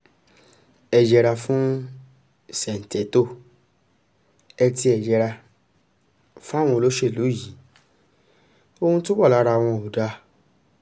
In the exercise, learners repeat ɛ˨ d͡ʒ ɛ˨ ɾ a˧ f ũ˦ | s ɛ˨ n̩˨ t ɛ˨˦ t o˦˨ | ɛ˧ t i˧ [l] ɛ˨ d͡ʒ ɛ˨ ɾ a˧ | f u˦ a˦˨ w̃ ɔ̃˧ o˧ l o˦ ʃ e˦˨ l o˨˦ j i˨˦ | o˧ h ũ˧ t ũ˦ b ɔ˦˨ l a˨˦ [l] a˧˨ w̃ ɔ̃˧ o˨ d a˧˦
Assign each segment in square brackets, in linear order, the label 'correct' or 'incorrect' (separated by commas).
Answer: incorrect, incorrect